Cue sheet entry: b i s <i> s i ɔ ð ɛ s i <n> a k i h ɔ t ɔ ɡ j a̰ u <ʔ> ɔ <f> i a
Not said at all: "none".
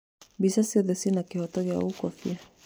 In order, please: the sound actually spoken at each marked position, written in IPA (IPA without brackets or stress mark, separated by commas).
a, n, k, f